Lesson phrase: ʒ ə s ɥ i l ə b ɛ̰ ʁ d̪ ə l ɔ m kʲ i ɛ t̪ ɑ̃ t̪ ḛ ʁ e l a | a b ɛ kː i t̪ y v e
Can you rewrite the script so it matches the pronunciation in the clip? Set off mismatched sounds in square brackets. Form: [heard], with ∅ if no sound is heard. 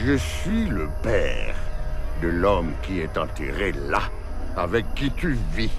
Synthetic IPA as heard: ʒ ə s ɥ i l ə [p] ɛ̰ ʁ d̪ ə l ɔ m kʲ i ɛ t̪ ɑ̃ t̪ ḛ ʁ e l a | a [v] ɛ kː i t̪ y v [i]

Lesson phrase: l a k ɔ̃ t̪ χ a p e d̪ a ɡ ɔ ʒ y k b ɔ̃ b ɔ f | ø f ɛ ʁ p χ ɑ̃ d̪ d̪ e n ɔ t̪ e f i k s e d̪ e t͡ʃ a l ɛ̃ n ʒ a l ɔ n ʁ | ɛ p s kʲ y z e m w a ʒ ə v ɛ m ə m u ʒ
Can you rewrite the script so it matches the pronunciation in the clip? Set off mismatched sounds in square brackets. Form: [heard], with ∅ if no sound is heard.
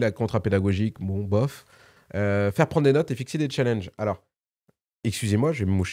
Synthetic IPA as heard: l a k ɔ̃ t̪ χ a p e d̪ a ɡ ɔ ʒ [i] k b ɔ̃ b ɔ f | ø f ɛ ʁ p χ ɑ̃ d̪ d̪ e n ɔ t̪ e f i k s e d̪ e t͡ʃ a l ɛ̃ n ʒ a l ɔ [∅] ʁ | ɛ [k] s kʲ y z e m w a ʒ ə v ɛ m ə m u [ʃ]

